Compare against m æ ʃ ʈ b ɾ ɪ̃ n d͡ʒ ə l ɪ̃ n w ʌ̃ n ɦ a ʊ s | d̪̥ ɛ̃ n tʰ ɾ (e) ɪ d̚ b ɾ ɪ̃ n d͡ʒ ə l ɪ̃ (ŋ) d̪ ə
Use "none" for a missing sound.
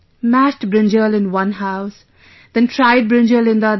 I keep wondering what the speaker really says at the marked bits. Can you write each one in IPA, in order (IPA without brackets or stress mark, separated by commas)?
a, n